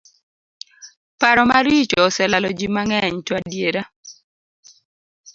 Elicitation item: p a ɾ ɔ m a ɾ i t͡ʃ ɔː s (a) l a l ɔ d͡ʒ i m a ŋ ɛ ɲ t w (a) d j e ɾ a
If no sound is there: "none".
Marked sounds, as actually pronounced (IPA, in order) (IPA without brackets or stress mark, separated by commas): ɛ, a